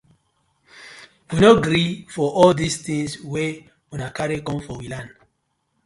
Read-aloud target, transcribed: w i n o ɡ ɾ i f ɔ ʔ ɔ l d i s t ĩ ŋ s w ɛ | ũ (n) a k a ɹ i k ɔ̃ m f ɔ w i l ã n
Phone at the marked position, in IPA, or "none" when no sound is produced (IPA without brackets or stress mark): n